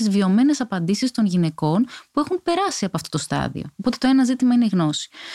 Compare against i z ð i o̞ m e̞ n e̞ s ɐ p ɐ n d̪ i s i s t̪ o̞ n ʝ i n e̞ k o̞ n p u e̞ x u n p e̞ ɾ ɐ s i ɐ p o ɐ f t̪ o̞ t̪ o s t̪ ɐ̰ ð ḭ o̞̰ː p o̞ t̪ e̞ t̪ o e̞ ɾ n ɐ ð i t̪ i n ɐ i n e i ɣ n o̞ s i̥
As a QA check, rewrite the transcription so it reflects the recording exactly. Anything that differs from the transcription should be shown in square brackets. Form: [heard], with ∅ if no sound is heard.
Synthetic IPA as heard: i z [v] i o̞ m e̞ n e̞ s ɐ p ɐ n d̪ i s i s t̪ o̞ n ʝ i n e̞ k o̞ n p u e̞ x u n p e̞ ɾ ɐ s i ɐ p o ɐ f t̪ o̞ t̪ o s t̪ ɐ̰ ð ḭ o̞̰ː p o̞ t̪ e̞ t̪ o e̞ [∅] n ɐ [z] i t̪ i [m] ɐ i n e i ɣ n o̞ s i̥